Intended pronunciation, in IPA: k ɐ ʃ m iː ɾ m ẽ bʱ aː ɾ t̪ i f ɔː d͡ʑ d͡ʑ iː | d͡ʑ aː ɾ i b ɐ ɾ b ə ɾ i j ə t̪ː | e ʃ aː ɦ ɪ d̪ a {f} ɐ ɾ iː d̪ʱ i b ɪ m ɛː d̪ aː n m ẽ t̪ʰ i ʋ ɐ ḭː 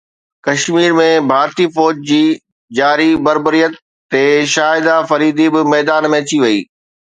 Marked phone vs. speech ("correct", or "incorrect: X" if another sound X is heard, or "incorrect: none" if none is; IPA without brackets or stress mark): correct